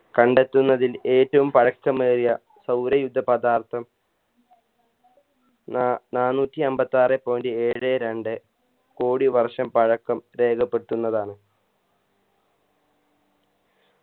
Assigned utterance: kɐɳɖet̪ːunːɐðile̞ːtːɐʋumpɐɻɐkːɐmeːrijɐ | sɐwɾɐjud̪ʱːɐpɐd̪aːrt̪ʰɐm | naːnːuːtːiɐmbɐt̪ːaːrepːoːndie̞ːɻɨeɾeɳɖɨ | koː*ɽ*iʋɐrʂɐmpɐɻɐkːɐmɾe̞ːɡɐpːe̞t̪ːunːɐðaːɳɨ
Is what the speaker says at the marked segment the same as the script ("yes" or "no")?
yes